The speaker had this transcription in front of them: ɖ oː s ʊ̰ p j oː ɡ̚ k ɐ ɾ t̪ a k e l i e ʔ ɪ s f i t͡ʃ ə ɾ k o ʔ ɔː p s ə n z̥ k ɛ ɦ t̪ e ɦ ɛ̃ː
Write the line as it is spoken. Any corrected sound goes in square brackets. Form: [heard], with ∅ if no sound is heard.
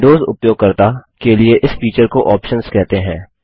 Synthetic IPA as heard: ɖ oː [z] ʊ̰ p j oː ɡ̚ k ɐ ɾ t̪ a k e l i e ʔ ɪ s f [iː] t͡ʃ ə ɾ k o ʔ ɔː p [ʃ] ə n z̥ k ɛ ɦ t̪ e ɦ ɛ̃ː